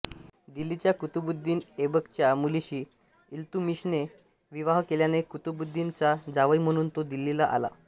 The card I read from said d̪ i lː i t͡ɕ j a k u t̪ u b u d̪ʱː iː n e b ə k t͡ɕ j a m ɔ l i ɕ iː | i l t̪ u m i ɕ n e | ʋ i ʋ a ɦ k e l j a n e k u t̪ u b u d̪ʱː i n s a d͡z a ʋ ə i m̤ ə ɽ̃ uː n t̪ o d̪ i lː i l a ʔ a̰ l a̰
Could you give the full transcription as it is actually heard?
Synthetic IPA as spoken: d̪ i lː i t͡ɕ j a k u t̪ u b u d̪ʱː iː n e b ə k t͡ɕ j a m u l i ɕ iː | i l t̪ u m i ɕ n e | ʋ i ʋ a ɦ k e l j a n e k u t̪ u b u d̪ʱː i n t͡s a d͡z a ʋ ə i m̤ ə ɽ̃ uː n t̪ o d̪ i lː i l a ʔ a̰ l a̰